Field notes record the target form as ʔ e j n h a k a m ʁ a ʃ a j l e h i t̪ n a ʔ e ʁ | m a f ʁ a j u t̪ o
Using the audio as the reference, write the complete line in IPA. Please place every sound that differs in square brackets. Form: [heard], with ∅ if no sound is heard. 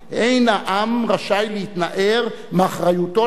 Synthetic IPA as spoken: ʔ e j n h a [ʔ] a m ʁ a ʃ a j l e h i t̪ n a ʔ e ʁ | m a [χ] ʁ a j u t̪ o